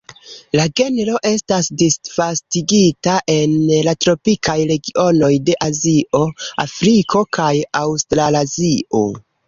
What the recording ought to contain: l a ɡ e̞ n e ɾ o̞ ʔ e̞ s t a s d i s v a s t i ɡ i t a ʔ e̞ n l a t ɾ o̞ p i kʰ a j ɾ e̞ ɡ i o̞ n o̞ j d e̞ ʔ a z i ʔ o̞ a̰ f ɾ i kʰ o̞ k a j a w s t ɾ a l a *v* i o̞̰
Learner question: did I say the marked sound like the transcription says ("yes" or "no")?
no